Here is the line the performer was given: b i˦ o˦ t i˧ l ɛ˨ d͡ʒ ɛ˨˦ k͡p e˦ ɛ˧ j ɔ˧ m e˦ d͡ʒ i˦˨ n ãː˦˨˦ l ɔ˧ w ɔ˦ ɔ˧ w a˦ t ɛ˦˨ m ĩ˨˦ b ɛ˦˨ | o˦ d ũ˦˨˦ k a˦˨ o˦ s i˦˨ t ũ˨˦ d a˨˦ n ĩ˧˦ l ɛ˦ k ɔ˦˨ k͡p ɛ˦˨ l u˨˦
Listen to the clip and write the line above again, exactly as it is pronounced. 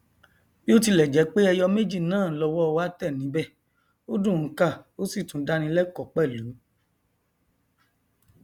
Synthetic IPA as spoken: b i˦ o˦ t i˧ l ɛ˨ d͡ʒ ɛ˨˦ k͡p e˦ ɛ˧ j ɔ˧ m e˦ d͡ʒ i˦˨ n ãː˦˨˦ l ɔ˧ w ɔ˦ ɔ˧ w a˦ t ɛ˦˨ n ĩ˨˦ b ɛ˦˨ | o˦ d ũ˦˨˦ k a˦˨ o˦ s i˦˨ t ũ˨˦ d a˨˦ n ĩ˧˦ l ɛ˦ k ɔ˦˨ k͡p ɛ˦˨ l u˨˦

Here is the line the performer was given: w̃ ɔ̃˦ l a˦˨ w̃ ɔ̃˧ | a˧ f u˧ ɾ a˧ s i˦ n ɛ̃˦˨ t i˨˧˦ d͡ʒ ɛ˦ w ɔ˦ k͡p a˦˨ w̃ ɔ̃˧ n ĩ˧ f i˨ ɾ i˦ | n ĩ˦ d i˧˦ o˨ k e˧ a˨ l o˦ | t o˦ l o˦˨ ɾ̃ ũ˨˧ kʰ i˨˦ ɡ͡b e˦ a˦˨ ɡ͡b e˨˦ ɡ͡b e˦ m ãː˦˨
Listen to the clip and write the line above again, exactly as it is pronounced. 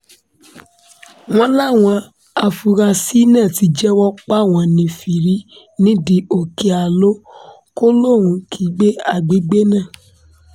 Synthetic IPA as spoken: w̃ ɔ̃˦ l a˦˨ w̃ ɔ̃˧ | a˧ f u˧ ɾ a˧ s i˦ n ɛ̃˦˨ t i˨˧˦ d͡ʒ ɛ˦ w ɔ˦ k͡p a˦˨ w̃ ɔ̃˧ n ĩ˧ f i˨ ɾ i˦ | n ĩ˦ d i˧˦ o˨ k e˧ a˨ l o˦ | k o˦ l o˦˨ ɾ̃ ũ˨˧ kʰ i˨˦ ɡ͡b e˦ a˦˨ ɡ͡b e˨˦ ɡ͡b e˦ n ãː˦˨

